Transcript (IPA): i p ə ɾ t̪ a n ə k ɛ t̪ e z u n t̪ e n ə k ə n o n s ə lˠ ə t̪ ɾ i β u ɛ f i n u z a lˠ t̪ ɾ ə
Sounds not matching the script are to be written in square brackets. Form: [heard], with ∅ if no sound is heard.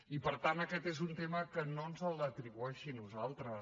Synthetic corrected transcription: i p ə ɾ t̪ a n ə k ɛ t̪ e z u n t̪ e [m] ə k ə n o n [z] ə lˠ ə t̪ ɾ i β u ɛ [ʃ] i n u z a lˠ t̪ ɾ ə